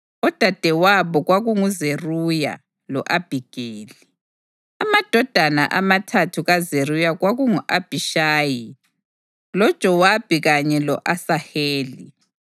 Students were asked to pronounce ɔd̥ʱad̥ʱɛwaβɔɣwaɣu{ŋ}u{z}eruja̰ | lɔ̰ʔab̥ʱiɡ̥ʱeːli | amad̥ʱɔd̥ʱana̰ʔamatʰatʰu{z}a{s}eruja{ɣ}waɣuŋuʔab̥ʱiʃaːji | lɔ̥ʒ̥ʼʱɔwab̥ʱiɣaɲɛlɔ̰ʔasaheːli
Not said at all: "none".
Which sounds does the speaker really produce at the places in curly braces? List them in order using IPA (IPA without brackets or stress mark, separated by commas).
ŋ, z, ɣ, z, ɣ